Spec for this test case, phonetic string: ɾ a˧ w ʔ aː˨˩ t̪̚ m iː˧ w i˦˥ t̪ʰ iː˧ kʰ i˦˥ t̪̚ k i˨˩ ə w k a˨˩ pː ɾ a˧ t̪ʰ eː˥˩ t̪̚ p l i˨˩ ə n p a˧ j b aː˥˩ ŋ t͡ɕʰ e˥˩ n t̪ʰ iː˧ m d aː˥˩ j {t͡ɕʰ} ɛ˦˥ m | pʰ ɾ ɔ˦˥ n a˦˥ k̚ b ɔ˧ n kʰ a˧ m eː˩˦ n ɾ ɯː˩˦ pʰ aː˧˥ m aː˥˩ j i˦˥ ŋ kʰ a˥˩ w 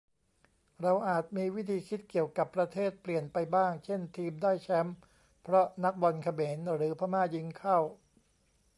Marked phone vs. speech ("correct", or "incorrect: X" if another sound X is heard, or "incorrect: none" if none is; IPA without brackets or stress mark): correct